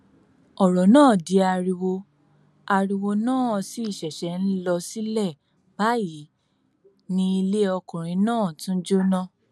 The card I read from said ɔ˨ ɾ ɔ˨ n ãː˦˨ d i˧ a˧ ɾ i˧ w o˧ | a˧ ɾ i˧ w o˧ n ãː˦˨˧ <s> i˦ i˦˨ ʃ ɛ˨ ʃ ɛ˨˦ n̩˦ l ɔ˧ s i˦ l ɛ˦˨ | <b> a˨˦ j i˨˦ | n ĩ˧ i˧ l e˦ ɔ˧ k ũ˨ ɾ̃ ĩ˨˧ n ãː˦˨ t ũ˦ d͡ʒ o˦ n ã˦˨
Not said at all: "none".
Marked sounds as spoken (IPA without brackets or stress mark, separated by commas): s, b